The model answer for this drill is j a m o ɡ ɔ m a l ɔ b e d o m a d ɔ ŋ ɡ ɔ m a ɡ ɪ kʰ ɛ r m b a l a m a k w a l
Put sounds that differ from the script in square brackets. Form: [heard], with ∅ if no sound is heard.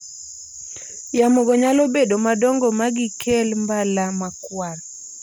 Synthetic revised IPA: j a m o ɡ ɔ [ɲ] a l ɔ b e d o m a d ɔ ŋ ɡ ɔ m a ɡ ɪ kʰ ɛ [l] m b a l a m a k w a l